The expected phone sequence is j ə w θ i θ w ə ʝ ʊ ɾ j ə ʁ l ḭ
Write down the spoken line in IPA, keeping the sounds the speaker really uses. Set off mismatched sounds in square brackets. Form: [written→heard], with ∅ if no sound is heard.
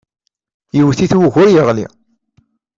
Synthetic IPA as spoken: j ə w θ i θ w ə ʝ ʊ ɾ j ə ʁ l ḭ